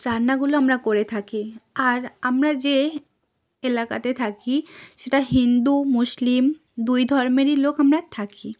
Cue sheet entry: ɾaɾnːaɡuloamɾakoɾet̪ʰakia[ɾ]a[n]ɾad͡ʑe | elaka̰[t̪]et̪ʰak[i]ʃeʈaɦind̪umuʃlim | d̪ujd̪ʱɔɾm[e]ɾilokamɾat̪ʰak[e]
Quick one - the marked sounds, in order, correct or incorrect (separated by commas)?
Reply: correct, incorrect, correct, correct, correct, incorrect